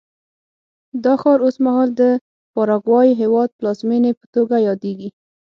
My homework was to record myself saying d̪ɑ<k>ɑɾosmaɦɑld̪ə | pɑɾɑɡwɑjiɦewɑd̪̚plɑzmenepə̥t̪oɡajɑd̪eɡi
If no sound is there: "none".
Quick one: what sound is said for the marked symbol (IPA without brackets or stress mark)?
x